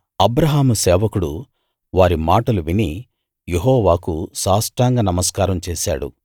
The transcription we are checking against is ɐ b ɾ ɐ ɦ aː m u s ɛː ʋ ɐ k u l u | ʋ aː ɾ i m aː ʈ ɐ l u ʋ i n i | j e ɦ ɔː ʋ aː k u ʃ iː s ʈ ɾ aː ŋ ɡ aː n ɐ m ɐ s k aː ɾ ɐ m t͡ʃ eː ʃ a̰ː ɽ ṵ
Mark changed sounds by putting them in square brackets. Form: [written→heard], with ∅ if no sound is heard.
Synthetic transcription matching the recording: ɐ b ɾ ɐ ɦ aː m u s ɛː ʋ ɐ k u [l→ɽ] u | ʋ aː ɾ i m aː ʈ ɐ l u ʋ i n i | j e ɦ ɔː ʋ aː k u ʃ [iː→aː] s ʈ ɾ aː ŋ ɡ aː n ɐ m ɐ s k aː ɾ ɐ m t͡ʃ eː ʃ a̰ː ɽ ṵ